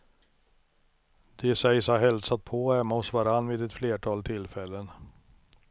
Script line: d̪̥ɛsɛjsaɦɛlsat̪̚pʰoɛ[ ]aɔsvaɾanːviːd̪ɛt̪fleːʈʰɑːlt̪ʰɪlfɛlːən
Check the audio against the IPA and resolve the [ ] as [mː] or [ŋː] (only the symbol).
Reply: mː